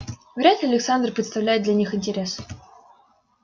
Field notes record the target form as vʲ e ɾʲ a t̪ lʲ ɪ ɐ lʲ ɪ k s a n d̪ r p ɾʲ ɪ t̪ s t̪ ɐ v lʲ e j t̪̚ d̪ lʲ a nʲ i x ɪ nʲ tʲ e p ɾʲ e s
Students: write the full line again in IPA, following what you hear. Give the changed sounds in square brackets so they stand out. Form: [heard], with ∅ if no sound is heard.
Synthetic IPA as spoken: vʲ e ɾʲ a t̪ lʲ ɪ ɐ lʲ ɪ k s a n d̪ r p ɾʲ ɪ t̪ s t̪ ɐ v lʲ [æ] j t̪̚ d̪ lʲ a nʲ i x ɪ nʲ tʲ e [∅] ɾʲ e s